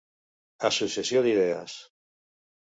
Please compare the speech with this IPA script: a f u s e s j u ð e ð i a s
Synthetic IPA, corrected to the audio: a s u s e s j o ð i ð e a s